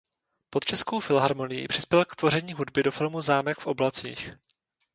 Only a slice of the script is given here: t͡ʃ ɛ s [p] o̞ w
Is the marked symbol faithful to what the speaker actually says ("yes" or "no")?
no